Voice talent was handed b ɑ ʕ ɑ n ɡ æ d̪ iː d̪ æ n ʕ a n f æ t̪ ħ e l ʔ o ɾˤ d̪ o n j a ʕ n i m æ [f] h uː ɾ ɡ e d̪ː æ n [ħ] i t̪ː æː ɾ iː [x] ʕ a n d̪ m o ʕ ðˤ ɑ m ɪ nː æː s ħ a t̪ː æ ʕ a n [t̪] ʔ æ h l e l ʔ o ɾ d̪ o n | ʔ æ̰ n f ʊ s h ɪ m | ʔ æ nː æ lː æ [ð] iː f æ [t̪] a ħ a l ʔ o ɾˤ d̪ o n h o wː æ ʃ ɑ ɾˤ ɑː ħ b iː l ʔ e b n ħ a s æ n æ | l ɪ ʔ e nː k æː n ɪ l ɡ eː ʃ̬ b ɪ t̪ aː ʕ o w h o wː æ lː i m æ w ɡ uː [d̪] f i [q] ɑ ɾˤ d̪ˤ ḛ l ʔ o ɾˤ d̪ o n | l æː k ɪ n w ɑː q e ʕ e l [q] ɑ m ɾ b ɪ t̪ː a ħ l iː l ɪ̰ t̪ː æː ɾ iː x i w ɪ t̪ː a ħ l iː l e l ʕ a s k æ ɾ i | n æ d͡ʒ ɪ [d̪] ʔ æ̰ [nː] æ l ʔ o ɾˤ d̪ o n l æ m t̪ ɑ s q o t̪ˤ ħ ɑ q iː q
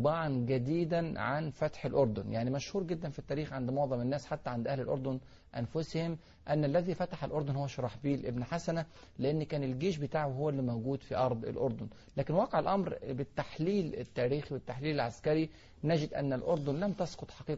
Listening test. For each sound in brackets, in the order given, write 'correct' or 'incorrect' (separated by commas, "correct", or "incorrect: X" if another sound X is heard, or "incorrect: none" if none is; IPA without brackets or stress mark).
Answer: incorrect: ʃ, incorrect: f, correct, incorrect: d̪, correct, correct, correct, incorrect: ʔ, incorrect: ʔ, correct, correct